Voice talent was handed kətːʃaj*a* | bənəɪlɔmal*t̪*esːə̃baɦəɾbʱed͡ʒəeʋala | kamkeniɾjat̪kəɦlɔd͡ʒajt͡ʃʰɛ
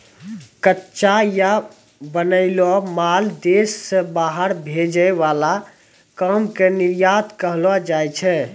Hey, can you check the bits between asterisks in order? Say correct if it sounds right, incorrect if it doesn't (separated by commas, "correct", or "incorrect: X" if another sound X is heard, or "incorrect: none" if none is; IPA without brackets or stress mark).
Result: correct, incorrect: d̪